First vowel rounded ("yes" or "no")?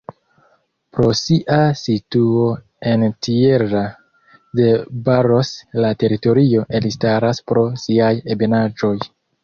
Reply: yes